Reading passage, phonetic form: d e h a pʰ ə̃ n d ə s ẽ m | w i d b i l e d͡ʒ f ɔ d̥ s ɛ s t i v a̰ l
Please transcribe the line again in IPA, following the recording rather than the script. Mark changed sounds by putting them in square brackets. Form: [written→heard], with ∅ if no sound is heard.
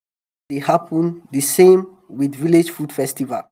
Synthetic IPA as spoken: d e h a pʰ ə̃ n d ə s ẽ m | w i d [b→v] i l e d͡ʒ f [ɔ→u] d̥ [s→f] ɛ s t i v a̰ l